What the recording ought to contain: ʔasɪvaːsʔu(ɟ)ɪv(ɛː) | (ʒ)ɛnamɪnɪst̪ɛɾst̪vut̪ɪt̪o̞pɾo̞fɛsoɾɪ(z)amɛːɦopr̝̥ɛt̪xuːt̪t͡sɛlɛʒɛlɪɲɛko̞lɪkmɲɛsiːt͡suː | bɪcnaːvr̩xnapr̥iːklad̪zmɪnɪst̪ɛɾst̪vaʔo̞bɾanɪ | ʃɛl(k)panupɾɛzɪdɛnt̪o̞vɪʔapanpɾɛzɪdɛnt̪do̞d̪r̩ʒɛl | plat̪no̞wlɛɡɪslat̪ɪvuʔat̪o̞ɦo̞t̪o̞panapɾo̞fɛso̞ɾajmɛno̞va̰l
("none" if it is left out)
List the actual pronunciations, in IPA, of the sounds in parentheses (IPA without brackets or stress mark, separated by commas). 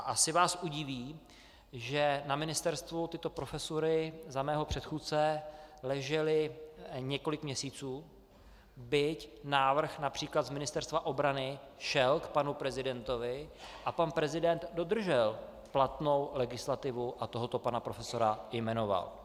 ɟ, iː, ʒ, z, k